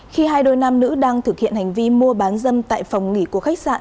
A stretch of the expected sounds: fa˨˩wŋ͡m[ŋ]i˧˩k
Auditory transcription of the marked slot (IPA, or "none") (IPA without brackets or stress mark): ŋ